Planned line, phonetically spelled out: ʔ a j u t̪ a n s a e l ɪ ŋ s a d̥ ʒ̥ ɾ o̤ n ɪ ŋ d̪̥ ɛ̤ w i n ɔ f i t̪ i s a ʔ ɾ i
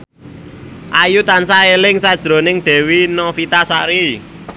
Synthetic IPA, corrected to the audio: ʔ a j u t̪ a n s a e l ɪ ŋ s a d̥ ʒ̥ ɾ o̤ n ɪ ŋ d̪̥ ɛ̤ w i n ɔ f i t̪ a s a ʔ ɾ i